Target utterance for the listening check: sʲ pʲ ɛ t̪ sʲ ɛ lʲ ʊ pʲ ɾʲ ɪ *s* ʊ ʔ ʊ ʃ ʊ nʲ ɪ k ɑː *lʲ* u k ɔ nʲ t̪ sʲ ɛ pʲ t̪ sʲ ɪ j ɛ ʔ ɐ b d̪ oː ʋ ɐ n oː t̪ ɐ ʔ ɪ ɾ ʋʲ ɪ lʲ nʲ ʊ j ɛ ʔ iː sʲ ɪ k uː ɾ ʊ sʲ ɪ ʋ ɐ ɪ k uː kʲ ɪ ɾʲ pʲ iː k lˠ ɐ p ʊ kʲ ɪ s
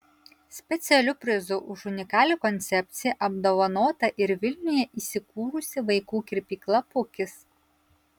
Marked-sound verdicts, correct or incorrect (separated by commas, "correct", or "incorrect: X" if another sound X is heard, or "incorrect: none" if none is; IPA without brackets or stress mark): incorrect: z, correct